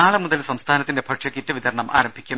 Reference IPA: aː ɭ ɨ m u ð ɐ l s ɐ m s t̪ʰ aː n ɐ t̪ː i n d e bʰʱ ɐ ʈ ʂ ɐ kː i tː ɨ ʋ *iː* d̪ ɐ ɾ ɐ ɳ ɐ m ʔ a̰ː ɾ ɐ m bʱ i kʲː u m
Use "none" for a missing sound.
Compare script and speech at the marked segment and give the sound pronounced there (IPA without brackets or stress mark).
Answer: i